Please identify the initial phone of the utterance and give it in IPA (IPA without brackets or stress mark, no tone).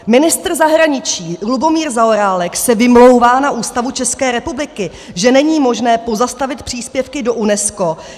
m